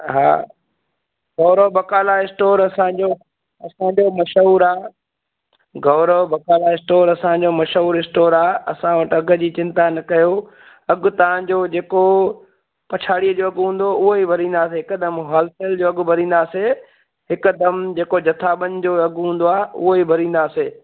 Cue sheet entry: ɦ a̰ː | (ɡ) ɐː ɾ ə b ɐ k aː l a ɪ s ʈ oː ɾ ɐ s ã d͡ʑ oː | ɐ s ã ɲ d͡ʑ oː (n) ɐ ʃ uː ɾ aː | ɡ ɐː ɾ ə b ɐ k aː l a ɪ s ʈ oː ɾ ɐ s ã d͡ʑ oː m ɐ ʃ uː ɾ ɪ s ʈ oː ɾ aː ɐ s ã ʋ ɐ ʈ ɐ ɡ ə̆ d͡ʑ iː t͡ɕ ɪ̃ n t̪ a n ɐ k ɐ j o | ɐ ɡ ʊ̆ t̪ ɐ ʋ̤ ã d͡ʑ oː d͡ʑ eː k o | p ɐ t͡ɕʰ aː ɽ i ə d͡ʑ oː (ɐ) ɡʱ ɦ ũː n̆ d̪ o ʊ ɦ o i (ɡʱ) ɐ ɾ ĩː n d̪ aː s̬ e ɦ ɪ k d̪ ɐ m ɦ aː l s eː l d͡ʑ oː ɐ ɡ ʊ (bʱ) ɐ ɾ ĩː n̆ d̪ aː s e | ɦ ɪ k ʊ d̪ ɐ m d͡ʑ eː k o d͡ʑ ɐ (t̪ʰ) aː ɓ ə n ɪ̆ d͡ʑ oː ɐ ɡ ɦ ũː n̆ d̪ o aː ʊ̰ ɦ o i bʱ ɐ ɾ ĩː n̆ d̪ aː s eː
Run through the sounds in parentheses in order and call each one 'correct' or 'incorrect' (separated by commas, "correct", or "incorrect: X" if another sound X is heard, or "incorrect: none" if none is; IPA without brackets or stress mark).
correct, incorrect: m, correct, incorrect: bʱ, correct, correct